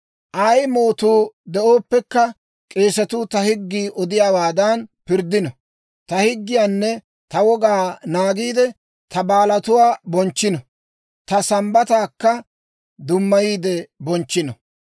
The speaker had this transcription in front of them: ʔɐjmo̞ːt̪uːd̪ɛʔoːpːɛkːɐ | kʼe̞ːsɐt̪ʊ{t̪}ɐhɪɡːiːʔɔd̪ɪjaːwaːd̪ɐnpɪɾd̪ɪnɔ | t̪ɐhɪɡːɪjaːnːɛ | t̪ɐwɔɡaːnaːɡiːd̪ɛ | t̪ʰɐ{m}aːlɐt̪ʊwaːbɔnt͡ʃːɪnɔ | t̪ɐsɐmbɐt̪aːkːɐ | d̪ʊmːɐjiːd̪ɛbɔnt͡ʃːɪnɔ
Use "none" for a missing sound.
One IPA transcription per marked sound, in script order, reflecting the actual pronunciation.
t̪, b

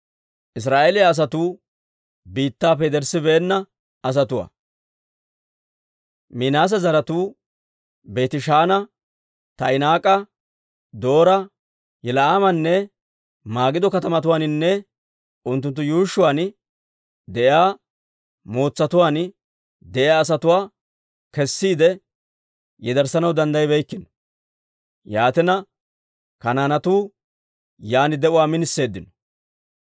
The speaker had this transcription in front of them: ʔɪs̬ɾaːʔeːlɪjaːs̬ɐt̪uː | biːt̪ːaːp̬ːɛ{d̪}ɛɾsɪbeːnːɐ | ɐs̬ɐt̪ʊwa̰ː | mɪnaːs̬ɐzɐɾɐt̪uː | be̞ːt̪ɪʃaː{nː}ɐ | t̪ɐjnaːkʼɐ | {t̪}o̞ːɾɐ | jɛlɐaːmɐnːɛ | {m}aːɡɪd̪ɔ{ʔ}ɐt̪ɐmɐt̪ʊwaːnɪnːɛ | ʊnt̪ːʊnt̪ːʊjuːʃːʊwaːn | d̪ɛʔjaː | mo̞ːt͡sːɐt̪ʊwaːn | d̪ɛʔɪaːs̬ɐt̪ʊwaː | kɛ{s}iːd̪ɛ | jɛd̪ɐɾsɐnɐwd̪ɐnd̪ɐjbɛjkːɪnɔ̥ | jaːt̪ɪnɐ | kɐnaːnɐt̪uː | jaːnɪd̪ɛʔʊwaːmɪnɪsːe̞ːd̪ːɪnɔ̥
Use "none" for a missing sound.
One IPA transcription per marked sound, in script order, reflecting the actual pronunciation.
d̪, n, d̪, m, k, sː

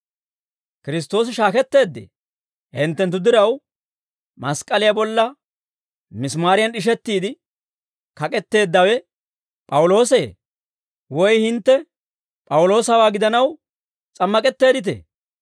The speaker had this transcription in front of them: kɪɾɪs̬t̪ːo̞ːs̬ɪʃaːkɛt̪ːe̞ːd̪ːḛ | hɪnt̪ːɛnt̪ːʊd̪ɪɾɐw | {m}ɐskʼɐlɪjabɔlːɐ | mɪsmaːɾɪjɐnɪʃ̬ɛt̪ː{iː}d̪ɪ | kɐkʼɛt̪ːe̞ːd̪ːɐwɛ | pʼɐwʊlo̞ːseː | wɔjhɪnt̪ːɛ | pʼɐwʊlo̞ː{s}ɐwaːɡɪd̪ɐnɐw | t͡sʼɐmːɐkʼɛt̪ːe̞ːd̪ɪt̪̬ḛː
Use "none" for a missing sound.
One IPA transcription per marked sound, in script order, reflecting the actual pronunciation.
m, iː, s

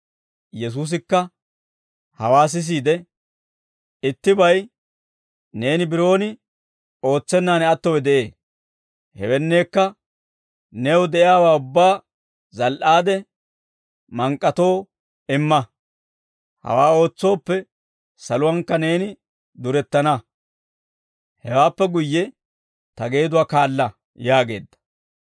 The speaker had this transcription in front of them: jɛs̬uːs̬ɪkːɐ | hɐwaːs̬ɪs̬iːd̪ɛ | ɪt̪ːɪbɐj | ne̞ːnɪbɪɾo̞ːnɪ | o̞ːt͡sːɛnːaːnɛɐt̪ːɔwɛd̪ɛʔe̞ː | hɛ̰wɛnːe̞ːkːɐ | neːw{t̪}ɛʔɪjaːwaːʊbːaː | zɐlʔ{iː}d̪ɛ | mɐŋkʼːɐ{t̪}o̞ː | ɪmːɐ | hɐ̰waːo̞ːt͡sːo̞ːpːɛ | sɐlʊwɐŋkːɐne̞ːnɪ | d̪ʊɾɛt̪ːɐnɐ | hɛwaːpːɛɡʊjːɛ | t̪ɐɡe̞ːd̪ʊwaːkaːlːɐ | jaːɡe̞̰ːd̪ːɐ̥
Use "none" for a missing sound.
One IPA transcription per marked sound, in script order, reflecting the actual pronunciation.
d̪, aː, t̪

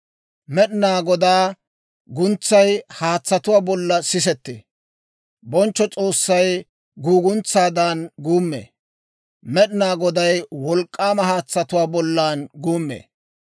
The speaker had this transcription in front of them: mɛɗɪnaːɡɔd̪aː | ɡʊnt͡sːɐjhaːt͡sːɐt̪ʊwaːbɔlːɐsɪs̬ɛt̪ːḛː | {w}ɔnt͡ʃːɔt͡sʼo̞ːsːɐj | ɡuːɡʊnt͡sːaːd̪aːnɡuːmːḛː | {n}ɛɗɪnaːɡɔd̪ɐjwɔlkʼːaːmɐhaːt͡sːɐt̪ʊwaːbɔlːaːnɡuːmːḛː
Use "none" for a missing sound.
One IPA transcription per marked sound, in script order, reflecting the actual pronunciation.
b, m

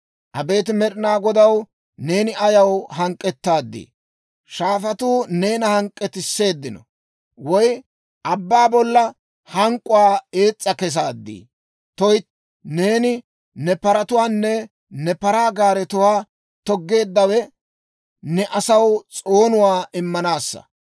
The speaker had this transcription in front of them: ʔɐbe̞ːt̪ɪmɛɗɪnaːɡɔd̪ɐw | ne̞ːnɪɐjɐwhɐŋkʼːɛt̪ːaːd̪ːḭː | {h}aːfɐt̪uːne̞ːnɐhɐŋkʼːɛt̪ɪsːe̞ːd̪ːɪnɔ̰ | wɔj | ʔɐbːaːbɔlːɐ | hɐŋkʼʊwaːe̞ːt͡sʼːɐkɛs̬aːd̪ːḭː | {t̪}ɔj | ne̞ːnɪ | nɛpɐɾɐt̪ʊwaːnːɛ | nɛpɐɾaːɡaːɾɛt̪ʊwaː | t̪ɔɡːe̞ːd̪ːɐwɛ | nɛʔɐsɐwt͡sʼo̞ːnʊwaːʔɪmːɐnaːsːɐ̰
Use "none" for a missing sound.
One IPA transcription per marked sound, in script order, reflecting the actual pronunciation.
ʃ, t̪

